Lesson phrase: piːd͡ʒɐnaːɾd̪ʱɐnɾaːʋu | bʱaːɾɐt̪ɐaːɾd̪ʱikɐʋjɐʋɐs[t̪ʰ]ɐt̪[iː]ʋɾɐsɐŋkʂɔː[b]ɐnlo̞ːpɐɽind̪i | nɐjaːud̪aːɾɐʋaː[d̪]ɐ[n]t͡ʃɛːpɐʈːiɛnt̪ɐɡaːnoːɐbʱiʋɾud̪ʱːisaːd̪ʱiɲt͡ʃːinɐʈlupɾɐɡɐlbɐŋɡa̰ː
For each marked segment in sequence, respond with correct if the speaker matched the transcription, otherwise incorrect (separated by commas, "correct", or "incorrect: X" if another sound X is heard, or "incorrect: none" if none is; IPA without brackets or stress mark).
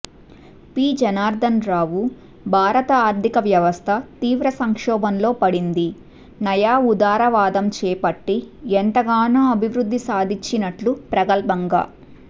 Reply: correct, correct, correct, correct, incorrect: m